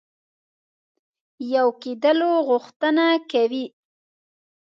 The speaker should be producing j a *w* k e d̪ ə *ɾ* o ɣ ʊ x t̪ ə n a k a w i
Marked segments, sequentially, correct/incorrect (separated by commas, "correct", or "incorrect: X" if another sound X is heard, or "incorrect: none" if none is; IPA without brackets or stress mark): correct, incorrect: l